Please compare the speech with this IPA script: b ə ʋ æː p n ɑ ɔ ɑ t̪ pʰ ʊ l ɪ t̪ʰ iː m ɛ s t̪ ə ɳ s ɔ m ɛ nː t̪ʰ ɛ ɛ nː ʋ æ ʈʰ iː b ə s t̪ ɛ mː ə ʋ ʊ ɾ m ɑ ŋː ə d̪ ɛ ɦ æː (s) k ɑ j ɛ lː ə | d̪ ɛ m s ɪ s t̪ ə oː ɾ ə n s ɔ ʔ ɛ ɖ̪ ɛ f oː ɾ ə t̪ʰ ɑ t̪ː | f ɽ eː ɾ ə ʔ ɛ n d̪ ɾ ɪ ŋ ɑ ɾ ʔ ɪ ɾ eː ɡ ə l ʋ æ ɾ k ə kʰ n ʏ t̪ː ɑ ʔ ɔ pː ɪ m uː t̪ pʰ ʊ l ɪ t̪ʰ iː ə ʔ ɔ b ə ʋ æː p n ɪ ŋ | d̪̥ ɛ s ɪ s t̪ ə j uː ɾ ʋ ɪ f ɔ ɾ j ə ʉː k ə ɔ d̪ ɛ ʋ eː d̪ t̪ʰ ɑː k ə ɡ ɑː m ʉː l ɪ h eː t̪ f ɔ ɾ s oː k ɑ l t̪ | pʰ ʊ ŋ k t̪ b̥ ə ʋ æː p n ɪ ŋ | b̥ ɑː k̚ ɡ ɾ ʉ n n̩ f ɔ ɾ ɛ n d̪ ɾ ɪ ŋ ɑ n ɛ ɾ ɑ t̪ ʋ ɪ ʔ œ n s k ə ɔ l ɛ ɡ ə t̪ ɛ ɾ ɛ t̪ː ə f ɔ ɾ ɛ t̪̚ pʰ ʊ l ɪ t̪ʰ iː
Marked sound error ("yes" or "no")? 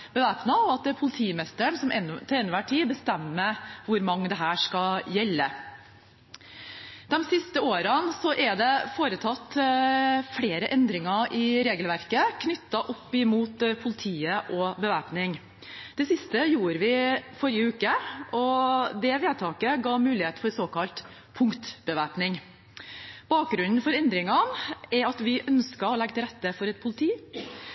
yes